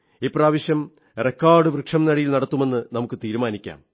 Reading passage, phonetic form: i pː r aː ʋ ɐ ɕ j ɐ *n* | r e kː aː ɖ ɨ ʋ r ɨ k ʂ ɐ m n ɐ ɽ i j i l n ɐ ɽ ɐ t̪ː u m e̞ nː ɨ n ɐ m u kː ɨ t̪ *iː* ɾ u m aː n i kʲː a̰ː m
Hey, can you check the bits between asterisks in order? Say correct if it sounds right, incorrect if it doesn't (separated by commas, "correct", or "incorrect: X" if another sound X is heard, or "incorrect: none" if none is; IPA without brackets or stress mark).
incorrect: m, correct